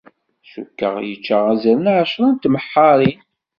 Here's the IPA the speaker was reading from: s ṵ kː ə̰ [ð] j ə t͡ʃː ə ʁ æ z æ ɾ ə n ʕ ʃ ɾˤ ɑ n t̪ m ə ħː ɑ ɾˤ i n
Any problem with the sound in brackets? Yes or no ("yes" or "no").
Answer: yes